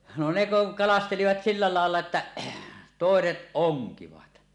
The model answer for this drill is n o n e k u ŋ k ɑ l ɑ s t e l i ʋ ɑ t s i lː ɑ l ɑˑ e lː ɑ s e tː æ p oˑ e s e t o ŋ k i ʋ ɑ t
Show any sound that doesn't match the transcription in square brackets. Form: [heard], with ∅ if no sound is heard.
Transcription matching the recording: n o n e k u ŋ k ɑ l ɑ s t e l i ʋ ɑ t s i lː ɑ l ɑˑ e lː ɑ [∅] e tː æ [t] oˑ e s e t o ŋ k i ʋ ɑ t

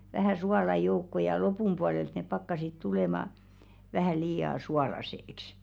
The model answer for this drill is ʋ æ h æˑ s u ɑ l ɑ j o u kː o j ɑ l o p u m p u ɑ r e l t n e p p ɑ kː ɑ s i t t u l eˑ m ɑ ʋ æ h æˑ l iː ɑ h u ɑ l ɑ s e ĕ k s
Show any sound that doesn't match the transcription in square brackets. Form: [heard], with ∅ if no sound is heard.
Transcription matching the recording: ʋ æ h æˑ s u ɑ l ɑ j o u kː o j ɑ l o p u m p u ɑ [l] e l t n e p p ɑ kː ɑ s i t t u l eˑ m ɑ ʋ æ h æˑ l iː ɑ [s] u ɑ l ɑ s e ĕ k s

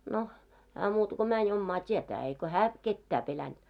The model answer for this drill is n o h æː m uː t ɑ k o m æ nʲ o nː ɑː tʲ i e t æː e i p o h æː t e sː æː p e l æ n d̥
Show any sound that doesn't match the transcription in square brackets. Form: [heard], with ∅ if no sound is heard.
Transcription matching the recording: n o h æː m uː t ɑ k o m æ nʲ o [mː] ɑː tʲ i e t æː e i [k] o h æː [k] e [tː] æː p e l æ n d̥

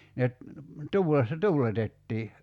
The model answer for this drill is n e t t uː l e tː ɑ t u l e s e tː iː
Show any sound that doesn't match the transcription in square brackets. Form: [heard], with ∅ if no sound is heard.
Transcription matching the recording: n e t t uː l e [sː] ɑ t [uː] l e [t] e tː iː

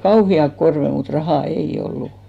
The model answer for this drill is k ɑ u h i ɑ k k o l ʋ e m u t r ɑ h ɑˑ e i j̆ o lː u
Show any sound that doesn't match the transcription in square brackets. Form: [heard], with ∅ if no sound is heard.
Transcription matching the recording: k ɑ u h i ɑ k k o [r] ʋ e m u t r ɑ h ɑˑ e i j̆ o lː u

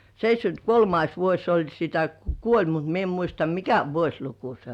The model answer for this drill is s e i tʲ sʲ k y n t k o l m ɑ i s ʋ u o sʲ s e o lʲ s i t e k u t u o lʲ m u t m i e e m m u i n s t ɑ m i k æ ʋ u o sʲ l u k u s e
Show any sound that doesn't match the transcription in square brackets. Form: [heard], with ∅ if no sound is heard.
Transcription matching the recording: s e i tʲ sʲ k y n t k o l m ɑ i s ʋ u o sʲ s e o lʲ s i t [æ] k u [k] u o lʲ m u t m i e e m m u i [∅] s t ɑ m i k æ ʋ u o sʲ l u k u s e

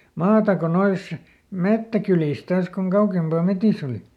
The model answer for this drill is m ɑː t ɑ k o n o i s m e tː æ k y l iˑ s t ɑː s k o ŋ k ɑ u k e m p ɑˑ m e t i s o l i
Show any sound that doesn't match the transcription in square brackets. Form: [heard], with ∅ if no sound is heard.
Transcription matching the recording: m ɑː t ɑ k o n o i s m e tː æ k y l iˑ s t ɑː s k o ŋ k ɑ u k e m p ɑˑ m e t i s o l i

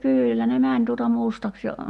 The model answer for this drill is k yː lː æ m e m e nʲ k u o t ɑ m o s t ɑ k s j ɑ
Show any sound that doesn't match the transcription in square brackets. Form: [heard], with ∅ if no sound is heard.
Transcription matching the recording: k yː lː æ [n] e m [æ] nʲ [t] u o t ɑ m [u] s t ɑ k s j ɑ

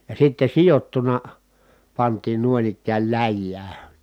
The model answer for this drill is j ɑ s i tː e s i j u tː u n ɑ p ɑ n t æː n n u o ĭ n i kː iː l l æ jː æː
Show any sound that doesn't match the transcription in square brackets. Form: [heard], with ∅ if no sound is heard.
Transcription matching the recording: j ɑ s i tː e s i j [o] tː u n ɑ p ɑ n t [iː] n n u o ĭ n i kː [æː] l l æ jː æː

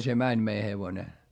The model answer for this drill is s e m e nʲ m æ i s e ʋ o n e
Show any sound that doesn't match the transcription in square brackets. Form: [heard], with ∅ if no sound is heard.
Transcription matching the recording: s e m [æ] nʲ m [e] i [h] e ʋ o n e

